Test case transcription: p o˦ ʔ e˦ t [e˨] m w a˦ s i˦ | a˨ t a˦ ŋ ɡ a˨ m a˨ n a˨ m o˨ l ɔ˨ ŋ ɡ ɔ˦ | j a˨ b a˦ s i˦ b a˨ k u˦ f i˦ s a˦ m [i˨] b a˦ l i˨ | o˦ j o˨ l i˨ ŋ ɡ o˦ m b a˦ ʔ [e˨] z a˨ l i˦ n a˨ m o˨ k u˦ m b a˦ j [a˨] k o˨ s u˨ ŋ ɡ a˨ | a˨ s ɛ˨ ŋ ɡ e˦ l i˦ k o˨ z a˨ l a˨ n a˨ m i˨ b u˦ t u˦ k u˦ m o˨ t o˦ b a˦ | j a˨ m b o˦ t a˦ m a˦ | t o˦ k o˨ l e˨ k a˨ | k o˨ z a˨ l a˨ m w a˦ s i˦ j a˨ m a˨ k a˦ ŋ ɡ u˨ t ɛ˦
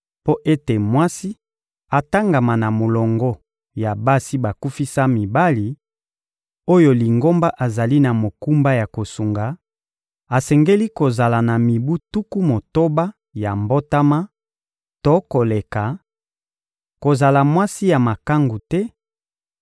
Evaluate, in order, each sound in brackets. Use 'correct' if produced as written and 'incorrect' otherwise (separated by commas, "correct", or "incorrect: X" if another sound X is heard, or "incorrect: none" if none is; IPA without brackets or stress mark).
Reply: correct, correct, incorrect: a˨, correct